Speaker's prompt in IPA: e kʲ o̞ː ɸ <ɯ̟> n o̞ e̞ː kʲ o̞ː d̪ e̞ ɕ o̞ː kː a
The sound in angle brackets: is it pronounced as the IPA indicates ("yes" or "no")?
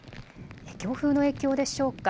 no